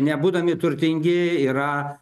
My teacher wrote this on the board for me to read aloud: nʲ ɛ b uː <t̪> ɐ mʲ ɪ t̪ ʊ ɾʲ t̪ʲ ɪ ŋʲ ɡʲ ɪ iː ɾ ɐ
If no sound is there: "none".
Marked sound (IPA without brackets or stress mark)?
d̪